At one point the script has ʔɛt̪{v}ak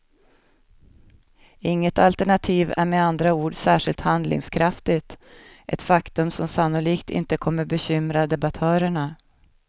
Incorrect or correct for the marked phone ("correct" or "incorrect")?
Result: incorrect